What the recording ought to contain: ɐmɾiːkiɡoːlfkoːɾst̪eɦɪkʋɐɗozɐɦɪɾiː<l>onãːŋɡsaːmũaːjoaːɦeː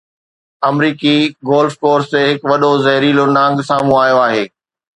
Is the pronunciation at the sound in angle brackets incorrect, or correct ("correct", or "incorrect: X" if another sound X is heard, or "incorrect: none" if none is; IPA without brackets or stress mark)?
correct